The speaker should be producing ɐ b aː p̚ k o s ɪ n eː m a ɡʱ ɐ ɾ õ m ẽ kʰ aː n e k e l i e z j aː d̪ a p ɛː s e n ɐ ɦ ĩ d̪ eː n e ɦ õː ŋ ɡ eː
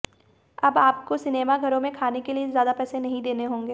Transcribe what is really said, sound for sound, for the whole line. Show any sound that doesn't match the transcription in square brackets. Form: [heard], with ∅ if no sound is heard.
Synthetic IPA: ɐ b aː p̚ k o s ɪ n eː m a ɡʱ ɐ ɾ õ m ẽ kʰ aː n e k e l i e z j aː d̪ a p ɛː s e n ɐ ɦ ĩ d̪ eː n e ɦ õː ŋ ɡ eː